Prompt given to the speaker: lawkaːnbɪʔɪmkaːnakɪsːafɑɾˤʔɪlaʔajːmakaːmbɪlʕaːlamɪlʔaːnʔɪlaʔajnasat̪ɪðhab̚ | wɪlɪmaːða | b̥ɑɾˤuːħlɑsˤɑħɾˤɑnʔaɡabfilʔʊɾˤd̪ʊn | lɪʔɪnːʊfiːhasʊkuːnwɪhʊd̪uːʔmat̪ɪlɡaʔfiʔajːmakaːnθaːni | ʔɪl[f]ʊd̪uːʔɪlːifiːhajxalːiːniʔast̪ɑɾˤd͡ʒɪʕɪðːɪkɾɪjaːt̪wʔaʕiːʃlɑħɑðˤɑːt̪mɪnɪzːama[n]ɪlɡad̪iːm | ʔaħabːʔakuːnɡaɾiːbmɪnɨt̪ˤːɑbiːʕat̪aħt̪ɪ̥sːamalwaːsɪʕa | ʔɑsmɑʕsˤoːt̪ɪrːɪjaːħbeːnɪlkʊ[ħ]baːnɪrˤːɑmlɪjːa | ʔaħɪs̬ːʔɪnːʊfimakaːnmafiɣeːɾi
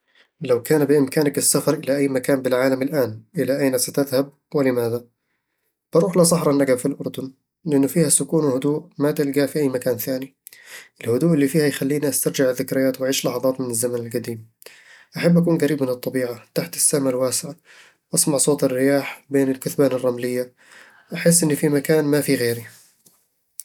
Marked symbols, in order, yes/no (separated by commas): no, yes, no